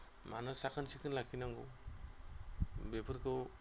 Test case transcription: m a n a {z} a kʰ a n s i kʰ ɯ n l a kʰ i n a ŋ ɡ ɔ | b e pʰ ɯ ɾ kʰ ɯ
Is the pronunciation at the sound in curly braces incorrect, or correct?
incorrect